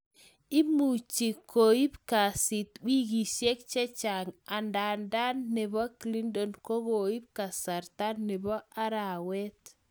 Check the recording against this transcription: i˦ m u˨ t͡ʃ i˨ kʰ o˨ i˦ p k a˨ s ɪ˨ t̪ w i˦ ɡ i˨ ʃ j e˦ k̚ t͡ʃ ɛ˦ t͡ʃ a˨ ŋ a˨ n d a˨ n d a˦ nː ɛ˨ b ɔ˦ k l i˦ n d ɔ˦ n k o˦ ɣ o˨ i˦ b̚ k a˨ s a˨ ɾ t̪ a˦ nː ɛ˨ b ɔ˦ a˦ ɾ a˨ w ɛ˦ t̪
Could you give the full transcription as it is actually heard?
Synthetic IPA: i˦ m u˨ t͡ʃ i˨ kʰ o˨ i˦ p k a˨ s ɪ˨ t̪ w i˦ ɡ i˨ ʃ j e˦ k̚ t͡ʃ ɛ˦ t͡ʃ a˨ ŋ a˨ n d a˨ n d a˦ nː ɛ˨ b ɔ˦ k l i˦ n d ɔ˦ n k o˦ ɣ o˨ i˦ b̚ k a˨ s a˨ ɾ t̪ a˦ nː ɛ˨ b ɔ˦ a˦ ɾ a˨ w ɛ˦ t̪